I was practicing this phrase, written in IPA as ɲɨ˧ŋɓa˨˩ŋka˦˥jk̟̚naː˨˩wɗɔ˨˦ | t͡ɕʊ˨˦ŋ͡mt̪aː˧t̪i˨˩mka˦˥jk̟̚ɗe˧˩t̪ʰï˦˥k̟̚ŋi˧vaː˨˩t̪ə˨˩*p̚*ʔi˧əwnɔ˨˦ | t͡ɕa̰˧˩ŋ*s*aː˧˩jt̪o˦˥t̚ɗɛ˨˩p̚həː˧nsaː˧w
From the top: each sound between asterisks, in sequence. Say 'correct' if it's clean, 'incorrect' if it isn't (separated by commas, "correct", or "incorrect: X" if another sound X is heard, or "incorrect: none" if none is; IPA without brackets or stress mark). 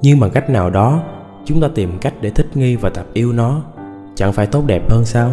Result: correct, incorrect: f